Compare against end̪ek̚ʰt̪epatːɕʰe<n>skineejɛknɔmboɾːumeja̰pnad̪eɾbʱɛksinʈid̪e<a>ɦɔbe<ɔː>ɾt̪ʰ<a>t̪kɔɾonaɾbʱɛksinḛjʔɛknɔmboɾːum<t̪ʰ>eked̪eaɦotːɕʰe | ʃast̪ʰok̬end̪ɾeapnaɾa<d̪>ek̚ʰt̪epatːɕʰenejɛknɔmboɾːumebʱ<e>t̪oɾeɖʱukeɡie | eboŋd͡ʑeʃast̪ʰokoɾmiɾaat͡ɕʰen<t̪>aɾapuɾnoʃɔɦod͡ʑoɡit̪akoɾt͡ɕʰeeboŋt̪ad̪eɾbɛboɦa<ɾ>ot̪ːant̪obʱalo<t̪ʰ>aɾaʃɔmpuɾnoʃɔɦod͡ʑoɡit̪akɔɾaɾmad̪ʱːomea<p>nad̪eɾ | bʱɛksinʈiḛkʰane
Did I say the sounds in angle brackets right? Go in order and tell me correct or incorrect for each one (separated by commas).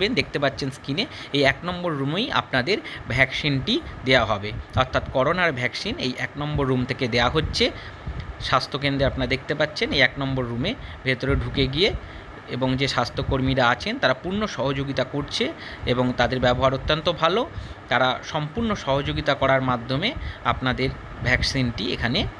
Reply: correct, correct, incorrect, correct, correct, correct, correct, correct, correct, incorrect, correct